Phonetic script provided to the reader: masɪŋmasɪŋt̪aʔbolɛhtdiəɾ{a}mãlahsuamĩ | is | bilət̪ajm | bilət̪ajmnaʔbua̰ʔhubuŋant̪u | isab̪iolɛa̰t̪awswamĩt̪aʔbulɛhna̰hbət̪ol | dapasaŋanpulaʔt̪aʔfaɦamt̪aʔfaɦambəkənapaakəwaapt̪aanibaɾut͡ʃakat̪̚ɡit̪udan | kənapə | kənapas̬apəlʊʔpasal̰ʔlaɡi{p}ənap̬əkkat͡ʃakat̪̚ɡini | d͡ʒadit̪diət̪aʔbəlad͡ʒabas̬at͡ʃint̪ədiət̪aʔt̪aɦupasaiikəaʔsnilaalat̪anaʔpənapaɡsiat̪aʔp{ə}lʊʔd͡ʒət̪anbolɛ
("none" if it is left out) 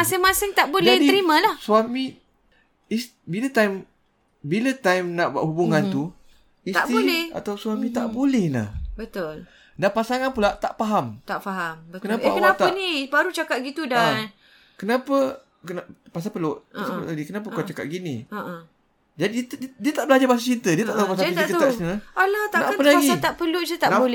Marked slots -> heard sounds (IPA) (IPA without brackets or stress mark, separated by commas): i, k, ə